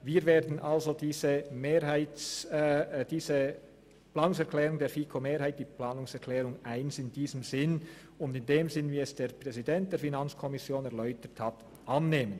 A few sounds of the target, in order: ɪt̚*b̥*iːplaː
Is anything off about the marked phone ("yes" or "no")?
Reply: yes